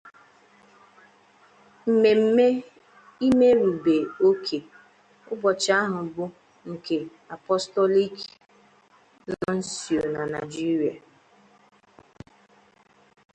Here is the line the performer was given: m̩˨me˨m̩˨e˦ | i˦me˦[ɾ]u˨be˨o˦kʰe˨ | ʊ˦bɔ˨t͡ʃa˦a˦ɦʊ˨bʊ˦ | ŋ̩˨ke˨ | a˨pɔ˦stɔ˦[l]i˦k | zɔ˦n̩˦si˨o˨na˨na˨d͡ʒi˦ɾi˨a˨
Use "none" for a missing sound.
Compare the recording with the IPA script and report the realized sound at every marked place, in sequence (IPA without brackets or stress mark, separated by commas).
ɾ, l